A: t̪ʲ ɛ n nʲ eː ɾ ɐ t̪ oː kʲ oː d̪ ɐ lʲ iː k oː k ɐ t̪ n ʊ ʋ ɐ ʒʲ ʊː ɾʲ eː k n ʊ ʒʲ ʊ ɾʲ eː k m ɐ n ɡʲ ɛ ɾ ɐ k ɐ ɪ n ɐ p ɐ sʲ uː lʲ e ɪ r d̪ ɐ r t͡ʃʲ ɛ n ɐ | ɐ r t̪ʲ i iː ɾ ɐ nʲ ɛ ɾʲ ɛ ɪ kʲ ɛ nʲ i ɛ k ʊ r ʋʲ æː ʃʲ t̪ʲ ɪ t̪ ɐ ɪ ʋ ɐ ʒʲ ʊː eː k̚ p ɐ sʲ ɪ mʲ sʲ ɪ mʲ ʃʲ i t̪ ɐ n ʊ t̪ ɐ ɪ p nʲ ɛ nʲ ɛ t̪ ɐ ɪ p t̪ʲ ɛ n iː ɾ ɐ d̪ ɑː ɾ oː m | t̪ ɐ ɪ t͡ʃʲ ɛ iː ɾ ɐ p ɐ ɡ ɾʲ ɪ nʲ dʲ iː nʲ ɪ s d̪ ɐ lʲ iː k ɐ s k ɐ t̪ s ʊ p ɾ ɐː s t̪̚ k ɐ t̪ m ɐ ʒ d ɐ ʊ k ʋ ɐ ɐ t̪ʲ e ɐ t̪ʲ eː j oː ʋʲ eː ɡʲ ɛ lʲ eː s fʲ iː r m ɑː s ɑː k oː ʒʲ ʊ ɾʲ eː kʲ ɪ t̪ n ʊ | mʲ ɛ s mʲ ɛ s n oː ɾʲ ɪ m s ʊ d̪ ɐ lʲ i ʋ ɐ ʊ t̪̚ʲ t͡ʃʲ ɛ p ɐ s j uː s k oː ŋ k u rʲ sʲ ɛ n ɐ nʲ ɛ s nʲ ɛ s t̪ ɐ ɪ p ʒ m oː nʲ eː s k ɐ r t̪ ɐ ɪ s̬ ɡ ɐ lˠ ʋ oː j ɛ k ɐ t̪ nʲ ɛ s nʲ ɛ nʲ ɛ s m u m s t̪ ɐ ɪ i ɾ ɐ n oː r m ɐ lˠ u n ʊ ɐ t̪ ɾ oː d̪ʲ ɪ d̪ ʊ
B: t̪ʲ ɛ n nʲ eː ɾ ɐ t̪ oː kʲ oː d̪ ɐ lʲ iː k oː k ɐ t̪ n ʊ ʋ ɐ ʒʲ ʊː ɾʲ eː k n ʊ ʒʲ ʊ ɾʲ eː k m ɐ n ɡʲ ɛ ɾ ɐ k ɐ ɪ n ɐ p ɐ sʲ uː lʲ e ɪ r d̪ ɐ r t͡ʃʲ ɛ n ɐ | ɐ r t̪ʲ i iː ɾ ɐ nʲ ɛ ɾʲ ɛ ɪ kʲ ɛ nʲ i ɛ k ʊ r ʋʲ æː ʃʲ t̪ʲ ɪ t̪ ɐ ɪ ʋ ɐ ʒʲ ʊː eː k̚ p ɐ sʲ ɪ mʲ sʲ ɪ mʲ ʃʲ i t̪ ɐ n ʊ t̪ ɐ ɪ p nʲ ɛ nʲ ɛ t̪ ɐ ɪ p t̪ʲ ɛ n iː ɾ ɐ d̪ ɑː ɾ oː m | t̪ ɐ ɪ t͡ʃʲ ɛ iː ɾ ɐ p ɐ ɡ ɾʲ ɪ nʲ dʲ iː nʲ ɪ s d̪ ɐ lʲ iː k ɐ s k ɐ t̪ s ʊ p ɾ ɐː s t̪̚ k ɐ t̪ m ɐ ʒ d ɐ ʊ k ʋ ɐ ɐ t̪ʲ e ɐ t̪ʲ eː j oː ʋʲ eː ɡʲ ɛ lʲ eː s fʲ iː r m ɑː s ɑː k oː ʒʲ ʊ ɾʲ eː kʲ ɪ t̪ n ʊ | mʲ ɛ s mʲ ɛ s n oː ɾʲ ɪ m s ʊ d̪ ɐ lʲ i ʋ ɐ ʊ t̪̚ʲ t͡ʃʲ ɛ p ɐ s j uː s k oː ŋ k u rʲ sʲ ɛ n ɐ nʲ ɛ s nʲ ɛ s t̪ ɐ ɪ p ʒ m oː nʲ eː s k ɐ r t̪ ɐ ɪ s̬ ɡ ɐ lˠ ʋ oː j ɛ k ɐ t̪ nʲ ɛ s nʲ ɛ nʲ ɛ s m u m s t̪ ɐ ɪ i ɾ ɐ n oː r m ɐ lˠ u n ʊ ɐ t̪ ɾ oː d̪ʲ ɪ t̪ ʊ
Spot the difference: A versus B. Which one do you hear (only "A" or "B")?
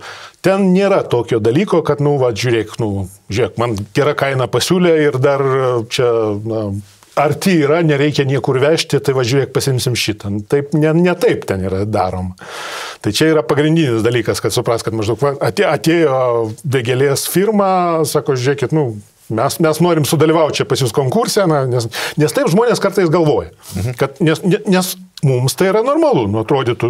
B